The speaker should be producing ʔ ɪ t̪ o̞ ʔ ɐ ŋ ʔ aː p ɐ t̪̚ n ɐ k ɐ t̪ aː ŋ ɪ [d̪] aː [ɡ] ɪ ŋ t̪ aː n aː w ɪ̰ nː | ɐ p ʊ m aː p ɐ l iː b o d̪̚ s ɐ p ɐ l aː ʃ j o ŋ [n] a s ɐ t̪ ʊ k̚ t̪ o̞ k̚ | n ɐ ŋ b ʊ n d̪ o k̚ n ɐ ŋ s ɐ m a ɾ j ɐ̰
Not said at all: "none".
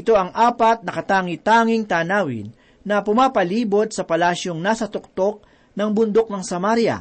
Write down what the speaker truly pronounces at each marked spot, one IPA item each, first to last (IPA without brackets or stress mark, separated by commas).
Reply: t̪, ŋ, n